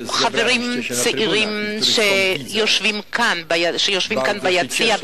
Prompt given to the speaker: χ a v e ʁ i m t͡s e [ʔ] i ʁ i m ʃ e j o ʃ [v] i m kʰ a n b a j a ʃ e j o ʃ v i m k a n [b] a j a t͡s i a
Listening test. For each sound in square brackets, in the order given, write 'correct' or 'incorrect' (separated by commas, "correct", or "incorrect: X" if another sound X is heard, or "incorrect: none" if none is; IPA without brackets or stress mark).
correct, correct, correct